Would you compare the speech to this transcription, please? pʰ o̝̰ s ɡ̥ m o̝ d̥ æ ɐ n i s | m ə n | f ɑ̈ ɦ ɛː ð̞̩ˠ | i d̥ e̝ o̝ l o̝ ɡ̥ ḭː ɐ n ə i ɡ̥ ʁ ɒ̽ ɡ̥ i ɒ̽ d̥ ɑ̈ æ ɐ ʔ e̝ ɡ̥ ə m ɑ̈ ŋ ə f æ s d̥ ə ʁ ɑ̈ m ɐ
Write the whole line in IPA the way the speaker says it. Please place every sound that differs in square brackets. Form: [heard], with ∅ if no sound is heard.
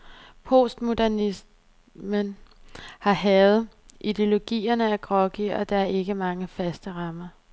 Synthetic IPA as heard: pʰ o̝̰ s [d̥] m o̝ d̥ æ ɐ n i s | m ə n | [h] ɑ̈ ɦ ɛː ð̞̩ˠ | i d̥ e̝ o̝ l o̝ ɡ̥ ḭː ɐ n ə [æ] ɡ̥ ʁ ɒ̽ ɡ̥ i ɒ̽ d̥ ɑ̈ æ ɐ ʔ e̝ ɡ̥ ə m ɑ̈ ŋ ə f æ s d̥ ə ʁ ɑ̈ m ɐ